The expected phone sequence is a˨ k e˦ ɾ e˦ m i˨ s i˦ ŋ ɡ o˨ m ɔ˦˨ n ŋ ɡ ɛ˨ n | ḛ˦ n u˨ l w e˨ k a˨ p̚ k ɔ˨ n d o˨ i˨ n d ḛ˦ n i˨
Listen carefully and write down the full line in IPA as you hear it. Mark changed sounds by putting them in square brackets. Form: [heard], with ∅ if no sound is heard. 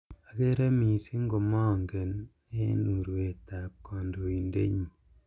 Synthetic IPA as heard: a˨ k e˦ ɾ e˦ m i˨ s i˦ ŋ ɡ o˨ m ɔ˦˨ [∅] ŋ ɡ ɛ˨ n | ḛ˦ n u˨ [ɾ] w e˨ [t] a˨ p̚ k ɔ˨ n d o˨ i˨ n d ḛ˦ [ɲ] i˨